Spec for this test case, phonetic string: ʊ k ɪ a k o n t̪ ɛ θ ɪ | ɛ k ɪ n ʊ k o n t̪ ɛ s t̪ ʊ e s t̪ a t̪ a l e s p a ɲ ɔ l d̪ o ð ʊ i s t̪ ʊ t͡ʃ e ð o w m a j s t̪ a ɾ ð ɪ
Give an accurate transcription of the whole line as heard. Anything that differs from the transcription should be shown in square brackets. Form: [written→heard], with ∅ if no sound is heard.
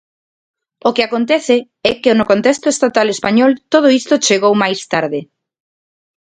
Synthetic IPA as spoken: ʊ k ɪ a k o n t̪ ɛ θ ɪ | ɛ k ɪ n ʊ k o n t̪ ɛ s t̪ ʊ e s t̪ a t̪ a l e s p a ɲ ɔ l [d̪→t̪] o ð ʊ i s t̪ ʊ t͡ʃ e [ð→ɣ] o w m a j s t̪ a ɾ ð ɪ